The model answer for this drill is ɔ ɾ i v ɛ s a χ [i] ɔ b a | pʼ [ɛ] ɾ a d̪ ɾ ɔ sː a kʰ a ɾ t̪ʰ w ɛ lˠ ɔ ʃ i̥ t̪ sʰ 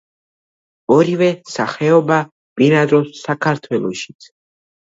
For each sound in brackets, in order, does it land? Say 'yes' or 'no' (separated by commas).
no, no